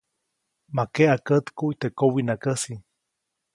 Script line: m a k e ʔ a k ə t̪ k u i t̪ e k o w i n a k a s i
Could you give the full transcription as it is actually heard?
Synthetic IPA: m a k e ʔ a k ə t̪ k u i t̪ e k o w i n a k ə s i